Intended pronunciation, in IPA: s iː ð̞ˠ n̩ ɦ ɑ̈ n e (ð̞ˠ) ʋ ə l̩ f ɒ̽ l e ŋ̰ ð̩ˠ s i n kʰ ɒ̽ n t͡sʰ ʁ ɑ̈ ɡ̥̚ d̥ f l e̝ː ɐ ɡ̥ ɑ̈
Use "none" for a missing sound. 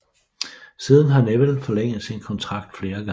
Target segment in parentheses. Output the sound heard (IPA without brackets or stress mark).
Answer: none